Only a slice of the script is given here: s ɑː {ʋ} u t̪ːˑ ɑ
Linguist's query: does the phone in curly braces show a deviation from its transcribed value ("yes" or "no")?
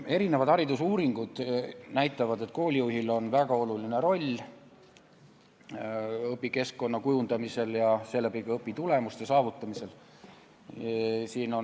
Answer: yes